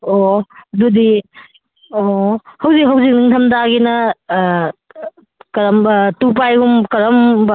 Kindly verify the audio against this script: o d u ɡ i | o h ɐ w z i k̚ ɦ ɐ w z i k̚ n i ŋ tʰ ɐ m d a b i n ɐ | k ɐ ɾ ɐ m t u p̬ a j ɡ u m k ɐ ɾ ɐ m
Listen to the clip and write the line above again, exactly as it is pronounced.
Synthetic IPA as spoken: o d u d i | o h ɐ w z i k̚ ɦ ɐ w z i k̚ n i ŋ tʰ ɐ m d a ɡ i n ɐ | k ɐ ɾ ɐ m t u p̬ a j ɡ u m k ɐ ɾ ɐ m